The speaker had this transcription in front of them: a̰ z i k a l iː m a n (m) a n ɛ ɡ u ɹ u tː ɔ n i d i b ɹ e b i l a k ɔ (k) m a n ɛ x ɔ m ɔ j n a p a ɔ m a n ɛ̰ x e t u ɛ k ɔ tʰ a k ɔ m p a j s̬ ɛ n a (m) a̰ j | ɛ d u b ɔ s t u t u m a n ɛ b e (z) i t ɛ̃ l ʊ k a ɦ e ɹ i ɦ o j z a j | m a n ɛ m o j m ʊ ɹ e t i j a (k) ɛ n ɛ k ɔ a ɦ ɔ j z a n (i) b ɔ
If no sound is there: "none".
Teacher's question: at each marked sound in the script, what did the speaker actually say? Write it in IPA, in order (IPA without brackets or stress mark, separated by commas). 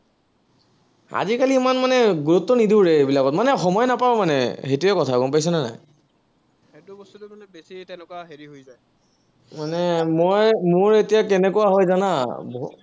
m, t, n, s, k, a